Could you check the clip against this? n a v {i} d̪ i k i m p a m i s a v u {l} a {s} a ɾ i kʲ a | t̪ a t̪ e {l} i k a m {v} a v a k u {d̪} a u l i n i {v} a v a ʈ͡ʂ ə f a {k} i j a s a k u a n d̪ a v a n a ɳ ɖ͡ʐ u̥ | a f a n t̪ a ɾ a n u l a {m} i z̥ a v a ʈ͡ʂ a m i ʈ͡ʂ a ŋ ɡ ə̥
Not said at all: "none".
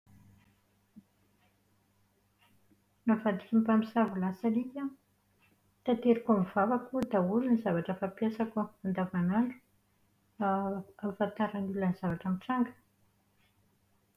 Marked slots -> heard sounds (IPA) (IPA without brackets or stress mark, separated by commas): a, l, s, ɾ, v, d̪, z, p, n